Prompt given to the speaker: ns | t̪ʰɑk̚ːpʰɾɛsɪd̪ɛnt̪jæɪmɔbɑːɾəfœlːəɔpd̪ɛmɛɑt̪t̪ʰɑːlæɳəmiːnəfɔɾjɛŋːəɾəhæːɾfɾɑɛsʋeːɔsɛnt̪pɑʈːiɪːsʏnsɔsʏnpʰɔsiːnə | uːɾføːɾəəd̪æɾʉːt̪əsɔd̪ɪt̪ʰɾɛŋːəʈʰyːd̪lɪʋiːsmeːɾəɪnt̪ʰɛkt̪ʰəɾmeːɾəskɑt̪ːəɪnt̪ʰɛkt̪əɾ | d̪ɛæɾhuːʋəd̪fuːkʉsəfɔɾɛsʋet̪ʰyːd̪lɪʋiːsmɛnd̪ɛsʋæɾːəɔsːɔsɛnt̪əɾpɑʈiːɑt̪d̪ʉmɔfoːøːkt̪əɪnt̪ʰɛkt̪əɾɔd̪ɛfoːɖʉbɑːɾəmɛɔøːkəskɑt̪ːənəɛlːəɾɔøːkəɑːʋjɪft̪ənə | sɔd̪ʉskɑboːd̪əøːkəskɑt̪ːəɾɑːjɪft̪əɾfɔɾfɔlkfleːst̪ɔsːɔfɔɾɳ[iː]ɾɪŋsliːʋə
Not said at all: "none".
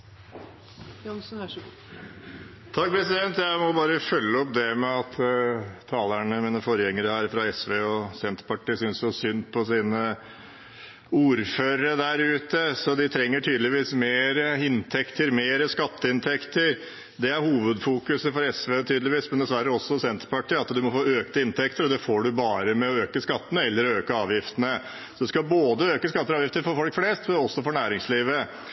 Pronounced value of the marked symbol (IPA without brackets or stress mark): æː